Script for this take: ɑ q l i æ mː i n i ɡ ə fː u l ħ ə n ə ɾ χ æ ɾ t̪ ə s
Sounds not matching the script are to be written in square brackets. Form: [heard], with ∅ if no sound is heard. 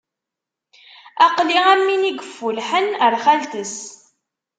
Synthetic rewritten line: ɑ q l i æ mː i n i ɡ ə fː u l ħ ə n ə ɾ χ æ [l] t̪ ə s